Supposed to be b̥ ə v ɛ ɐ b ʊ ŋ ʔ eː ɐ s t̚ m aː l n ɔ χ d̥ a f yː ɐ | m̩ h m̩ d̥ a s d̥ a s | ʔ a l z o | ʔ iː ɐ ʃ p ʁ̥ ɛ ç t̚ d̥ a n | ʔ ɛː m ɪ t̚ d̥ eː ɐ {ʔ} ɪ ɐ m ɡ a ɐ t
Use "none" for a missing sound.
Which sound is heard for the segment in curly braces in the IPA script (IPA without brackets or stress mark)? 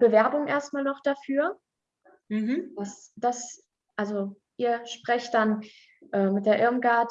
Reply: ʔ